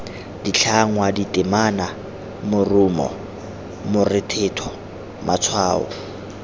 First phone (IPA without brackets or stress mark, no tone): d